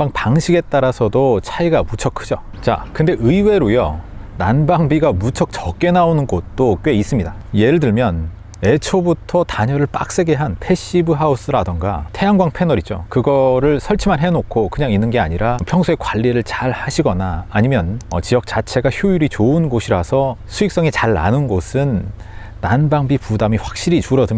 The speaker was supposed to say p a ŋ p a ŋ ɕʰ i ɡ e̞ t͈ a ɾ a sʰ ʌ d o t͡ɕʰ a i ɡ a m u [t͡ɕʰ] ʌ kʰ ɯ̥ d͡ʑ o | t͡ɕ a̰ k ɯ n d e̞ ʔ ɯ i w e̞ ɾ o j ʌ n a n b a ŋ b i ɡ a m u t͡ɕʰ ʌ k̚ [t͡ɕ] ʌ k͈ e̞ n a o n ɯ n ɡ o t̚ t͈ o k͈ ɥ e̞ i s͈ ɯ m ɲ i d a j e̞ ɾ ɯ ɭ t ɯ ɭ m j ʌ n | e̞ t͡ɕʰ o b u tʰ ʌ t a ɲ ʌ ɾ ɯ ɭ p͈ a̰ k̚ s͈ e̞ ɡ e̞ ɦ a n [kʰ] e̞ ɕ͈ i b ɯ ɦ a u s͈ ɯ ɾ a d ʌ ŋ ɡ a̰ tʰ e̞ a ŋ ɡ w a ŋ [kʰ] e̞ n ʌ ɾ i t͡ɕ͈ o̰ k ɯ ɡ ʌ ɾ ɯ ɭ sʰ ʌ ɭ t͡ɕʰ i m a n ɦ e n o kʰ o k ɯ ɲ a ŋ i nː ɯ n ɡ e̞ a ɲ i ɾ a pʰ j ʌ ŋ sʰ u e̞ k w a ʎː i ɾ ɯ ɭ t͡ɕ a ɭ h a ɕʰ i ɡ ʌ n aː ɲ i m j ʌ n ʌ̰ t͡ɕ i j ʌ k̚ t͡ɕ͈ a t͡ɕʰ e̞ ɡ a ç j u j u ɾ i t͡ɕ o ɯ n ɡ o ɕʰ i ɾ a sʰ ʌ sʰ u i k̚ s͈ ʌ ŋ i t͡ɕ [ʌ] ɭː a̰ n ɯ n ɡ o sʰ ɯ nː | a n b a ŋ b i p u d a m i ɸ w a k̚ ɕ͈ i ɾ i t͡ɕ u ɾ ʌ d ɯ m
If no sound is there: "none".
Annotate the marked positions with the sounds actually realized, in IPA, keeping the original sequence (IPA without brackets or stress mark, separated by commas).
t͡ɕʰ, t͡ɕ, pʰ, pʰ, a